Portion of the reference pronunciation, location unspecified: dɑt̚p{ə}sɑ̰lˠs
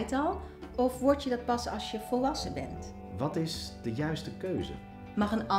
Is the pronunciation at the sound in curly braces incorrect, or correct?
incorrect